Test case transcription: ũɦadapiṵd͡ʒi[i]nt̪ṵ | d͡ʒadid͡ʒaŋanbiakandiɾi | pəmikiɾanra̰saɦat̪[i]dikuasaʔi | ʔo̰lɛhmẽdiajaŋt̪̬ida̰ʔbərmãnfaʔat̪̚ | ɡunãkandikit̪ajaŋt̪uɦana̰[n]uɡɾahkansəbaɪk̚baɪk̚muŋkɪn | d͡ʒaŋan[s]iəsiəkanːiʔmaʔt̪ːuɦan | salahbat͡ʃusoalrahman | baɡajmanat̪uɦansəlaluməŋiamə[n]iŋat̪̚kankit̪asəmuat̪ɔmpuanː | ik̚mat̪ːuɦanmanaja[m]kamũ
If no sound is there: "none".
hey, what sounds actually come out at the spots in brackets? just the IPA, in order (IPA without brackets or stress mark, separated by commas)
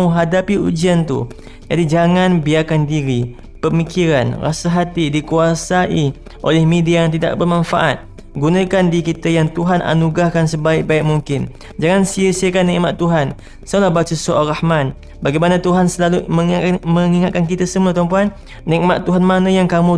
a, i, n, s, ŋ, ŋ